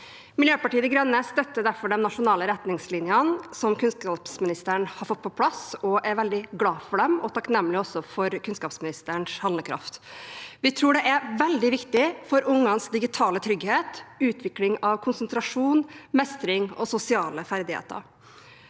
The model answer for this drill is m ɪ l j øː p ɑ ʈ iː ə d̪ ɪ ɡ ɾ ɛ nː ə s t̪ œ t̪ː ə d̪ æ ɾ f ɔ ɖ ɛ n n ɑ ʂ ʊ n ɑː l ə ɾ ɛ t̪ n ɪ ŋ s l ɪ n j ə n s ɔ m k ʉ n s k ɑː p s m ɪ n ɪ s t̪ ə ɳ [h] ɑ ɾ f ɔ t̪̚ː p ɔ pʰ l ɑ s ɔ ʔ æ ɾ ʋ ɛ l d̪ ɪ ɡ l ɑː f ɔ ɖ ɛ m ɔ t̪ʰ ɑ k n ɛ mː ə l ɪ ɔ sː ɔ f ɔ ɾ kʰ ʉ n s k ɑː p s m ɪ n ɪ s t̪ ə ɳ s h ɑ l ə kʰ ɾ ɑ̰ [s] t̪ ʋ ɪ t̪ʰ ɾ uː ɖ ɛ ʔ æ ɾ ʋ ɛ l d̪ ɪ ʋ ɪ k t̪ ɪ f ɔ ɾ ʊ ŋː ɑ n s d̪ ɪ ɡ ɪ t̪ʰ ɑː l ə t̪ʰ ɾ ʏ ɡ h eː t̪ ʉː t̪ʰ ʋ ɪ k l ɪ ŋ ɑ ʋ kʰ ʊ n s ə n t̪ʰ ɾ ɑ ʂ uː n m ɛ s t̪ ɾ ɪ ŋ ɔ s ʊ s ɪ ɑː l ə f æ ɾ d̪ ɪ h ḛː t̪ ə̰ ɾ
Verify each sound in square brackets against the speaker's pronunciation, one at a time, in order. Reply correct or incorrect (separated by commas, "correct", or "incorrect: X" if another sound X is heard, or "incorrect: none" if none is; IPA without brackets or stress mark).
correct, incorrect: f